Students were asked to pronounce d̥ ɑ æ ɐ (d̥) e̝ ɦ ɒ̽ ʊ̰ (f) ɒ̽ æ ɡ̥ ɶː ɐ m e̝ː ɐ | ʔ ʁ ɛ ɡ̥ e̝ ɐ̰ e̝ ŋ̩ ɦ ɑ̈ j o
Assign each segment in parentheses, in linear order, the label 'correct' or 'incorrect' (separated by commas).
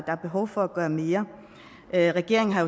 incorrect, correct